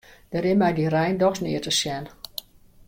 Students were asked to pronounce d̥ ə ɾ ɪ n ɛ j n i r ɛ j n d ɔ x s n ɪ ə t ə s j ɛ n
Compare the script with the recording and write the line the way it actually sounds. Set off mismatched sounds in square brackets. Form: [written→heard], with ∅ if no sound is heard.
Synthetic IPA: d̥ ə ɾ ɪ [n→m] ɛ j [n→d] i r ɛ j n d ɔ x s n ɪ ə t ə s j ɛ n